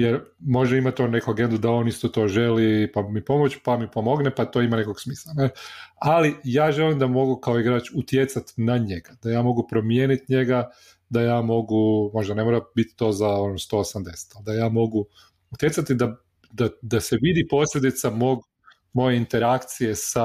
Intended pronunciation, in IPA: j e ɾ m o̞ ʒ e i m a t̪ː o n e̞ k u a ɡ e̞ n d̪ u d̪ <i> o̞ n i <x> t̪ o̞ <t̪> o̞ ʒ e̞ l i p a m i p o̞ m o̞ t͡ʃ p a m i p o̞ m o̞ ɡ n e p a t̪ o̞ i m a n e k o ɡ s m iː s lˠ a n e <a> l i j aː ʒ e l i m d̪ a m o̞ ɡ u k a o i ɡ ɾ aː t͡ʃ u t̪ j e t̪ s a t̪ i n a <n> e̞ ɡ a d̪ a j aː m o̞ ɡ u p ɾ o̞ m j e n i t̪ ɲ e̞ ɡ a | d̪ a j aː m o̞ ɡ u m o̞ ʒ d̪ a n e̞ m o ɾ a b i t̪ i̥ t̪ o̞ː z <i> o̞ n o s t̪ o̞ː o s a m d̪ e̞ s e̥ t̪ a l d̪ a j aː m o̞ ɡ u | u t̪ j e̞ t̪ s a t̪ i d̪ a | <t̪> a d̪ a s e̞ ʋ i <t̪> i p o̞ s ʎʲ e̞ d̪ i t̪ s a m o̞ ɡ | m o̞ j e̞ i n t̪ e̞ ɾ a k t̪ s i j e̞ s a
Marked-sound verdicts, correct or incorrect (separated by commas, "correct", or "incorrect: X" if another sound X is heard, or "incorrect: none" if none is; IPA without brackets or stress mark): incorrect: a, incorrect: s, correct, correct, incorrect: ɲ, incorrect: a, incorrect: d̪, incorrect: d̪